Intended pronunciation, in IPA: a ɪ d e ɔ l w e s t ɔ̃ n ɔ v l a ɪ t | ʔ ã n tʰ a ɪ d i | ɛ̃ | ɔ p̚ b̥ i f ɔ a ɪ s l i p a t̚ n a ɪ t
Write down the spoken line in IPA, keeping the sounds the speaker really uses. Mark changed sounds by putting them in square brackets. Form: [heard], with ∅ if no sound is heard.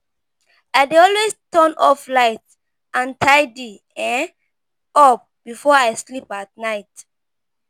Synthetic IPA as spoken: a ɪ d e ɔ l w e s t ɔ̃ n ɔ [f] l a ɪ t | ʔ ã n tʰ a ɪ d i | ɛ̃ | ɔ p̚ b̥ i f ɔ a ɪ s l i p a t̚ n a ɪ t